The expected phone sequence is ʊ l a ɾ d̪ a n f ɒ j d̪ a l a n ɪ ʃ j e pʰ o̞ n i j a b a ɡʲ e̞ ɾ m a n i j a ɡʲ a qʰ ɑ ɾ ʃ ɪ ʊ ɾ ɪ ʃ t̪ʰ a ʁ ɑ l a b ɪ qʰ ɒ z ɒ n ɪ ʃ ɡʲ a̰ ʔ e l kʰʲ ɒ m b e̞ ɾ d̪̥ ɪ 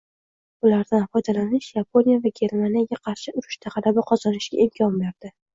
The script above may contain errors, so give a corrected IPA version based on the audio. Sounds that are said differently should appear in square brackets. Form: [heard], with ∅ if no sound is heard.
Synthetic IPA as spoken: ʊ l a ɾ d̪ a n f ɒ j d̪ a l a n ɪ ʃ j [a] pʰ o̞ n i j a [v] a ɡʲ e̞ ɾ m a n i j a ɡʲ a qʰ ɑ ɾ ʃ ɪ ʊ ɾ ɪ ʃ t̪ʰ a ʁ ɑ l a b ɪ qʰ ɒ z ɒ n ɪ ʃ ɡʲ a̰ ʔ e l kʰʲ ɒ m b e̞ ɾ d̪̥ ɪ